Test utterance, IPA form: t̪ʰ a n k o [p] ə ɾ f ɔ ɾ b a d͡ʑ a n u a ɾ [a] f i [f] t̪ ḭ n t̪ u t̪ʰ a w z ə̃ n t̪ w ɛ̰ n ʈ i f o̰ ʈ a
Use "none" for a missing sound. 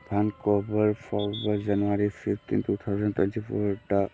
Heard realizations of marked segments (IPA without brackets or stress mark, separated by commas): b, i, f